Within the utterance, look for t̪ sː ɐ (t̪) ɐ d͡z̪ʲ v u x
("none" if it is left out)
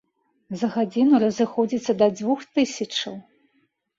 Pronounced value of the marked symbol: d̪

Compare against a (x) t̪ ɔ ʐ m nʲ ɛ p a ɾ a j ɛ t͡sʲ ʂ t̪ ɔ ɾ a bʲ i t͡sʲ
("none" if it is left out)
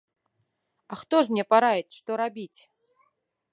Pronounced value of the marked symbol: x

